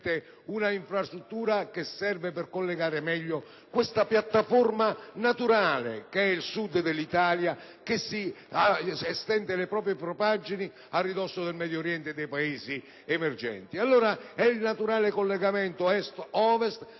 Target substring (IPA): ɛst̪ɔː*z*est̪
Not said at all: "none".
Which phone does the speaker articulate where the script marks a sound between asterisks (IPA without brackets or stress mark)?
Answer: v